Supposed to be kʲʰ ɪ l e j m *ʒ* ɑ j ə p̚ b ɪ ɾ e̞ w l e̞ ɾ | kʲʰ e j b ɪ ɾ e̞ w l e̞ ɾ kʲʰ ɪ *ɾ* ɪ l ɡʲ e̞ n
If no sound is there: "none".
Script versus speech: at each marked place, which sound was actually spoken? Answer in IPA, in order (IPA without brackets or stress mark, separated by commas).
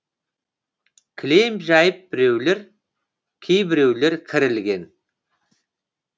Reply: ʒ, ɾ